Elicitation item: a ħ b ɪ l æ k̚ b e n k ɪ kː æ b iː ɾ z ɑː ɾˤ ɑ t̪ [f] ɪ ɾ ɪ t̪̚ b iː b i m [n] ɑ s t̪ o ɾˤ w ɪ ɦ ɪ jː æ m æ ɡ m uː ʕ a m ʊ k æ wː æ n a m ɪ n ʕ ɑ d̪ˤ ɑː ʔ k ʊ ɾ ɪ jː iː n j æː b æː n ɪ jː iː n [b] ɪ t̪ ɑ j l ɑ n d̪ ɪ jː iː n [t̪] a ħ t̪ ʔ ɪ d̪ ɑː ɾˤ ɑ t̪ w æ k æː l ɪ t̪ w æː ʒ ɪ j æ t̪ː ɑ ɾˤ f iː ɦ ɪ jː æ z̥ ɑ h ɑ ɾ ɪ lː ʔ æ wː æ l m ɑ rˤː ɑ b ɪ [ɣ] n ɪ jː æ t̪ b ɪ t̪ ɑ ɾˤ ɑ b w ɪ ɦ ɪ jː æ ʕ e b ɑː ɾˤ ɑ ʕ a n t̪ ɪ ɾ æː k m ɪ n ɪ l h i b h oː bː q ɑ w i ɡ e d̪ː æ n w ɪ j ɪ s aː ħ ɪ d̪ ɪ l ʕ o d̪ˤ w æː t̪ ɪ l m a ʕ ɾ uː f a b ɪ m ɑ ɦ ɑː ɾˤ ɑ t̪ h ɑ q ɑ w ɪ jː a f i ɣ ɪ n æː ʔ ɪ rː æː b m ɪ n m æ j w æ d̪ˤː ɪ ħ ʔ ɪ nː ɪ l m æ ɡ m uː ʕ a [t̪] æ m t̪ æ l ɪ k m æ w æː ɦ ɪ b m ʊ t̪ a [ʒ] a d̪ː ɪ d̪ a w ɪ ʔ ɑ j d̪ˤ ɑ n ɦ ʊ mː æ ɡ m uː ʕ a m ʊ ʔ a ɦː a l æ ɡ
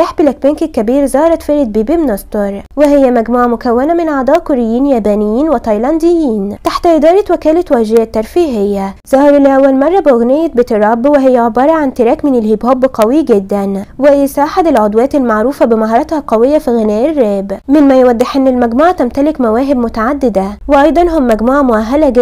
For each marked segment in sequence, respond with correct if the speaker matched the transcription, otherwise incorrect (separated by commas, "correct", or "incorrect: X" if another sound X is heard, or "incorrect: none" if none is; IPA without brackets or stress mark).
correct, correct, incorrect: w, correct, correct, correct, incorrect: ʕ